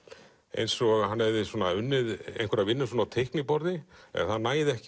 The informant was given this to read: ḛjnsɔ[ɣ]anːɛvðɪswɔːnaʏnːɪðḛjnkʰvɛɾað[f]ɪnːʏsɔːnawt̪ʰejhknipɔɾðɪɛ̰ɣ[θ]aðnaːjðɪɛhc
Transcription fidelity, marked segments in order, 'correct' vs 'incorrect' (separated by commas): correct, incorrect, correct